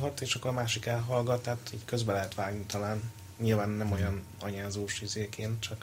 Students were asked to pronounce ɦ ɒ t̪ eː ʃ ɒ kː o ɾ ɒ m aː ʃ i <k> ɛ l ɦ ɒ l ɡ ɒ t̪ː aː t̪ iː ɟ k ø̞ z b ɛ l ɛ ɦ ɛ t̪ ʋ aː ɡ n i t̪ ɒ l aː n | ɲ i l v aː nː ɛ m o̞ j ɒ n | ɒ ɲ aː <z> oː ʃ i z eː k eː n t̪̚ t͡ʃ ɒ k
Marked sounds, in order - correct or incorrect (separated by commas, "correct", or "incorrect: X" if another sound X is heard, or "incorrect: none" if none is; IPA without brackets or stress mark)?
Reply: correct, correct